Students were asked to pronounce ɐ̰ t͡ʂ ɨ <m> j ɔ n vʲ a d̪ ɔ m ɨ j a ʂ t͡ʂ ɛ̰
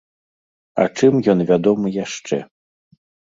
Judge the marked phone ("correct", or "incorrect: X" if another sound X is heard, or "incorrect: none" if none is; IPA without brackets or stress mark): correct